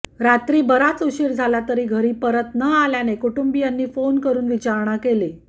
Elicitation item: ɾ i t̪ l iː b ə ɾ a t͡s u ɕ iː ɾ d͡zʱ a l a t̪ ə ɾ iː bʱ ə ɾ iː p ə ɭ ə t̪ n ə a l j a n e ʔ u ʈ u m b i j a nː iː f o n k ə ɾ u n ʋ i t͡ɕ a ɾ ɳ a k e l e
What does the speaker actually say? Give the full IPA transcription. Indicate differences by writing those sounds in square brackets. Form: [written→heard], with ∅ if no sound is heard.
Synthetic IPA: ɾ [i→a] t̪ [l→ɾ] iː b ə ɾ a t͡s u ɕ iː ɾ d͡zʱ a l a t̪ ə ɾ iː [bʱ→ɡʱ] ə ɾ iː p ə [ɭ→ɾ] ə t̪ n ə a l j a n e [ʔ→k] u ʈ u m b i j a nː iː f o n k ə ɾ [u→uː] n ʋ i t͡ɕ a ɾ ɳ a k e l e